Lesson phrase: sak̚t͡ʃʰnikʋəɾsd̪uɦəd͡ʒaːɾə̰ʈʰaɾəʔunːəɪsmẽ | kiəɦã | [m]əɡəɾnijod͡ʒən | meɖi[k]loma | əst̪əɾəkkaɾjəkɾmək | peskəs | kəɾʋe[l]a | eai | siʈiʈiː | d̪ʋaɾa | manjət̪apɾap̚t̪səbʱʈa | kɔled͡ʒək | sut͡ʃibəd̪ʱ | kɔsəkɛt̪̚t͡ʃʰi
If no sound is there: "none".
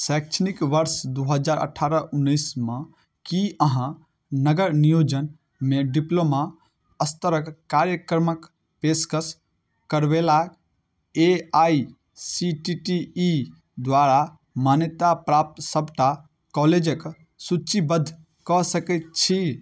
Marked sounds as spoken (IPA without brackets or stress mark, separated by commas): n, p, l